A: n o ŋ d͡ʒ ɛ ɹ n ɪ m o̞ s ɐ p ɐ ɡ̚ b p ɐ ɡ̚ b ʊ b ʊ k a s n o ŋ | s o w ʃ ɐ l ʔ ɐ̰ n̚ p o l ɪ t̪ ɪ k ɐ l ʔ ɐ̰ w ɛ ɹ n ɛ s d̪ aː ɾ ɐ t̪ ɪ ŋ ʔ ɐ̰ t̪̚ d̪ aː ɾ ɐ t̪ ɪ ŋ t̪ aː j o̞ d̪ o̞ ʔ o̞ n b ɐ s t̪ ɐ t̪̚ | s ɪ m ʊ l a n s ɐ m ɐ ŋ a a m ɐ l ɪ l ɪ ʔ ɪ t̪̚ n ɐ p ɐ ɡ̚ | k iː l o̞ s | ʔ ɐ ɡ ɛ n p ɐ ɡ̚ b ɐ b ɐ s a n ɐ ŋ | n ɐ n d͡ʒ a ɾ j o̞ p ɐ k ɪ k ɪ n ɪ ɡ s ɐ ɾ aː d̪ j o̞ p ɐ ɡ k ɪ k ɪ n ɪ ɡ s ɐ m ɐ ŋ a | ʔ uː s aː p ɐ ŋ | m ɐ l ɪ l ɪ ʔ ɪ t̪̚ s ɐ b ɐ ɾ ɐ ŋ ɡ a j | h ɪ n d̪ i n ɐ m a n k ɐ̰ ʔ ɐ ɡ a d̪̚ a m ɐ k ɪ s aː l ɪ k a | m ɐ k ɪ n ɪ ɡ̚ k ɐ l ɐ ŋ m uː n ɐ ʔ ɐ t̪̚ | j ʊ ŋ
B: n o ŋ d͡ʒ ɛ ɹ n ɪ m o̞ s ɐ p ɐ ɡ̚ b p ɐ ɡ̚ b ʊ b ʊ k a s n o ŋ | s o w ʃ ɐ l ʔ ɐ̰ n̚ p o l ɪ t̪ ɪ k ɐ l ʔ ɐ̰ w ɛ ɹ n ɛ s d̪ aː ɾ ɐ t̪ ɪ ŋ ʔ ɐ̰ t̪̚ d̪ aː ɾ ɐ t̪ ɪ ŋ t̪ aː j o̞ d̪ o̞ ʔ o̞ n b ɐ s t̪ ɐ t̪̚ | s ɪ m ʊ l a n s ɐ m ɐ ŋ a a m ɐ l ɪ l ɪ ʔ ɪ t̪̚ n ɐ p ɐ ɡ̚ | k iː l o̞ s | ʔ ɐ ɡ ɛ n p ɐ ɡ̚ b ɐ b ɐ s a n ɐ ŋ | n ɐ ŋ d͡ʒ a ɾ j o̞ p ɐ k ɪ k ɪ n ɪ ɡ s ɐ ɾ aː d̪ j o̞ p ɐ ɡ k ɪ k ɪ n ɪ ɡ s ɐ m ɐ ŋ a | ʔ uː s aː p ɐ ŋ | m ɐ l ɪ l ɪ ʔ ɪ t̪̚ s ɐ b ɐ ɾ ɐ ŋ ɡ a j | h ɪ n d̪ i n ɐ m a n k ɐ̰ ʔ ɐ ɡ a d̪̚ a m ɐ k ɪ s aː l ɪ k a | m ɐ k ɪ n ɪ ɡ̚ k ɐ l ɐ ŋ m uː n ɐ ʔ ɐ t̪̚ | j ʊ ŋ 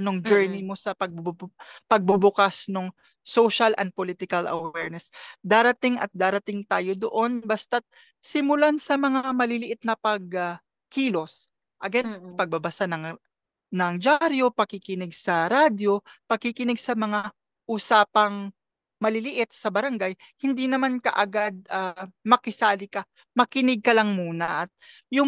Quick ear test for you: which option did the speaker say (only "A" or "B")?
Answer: B